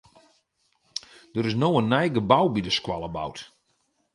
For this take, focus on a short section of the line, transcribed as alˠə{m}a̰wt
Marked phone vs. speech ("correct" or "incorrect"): incorrect